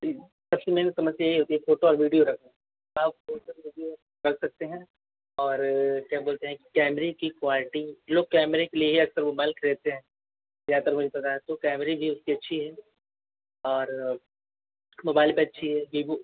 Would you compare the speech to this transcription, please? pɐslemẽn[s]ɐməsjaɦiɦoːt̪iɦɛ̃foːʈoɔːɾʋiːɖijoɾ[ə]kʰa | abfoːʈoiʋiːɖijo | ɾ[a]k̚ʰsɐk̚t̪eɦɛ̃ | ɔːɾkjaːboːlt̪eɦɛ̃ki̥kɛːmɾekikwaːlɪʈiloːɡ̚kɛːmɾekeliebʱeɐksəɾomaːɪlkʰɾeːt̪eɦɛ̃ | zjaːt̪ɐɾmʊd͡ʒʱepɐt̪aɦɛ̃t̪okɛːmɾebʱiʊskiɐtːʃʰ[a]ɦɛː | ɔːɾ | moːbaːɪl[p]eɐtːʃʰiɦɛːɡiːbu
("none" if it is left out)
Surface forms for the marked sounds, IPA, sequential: s, ɐ, ɐ, i, p

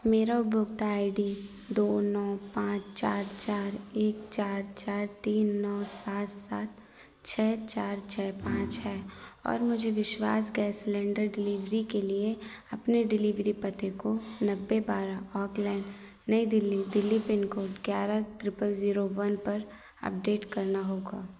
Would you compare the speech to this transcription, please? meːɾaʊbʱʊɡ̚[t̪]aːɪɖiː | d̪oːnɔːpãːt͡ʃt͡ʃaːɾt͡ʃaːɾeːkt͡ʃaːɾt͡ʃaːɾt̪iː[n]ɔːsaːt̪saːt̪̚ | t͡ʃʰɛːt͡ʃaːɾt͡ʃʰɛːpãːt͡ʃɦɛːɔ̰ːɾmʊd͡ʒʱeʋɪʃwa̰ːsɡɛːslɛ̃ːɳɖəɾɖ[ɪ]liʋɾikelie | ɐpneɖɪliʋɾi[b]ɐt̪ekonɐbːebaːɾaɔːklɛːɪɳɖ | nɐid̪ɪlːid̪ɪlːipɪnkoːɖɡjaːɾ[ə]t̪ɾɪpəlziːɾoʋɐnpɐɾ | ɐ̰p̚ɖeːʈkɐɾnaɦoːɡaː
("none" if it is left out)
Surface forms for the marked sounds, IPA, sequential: t̪, nː, ɪ, p, a

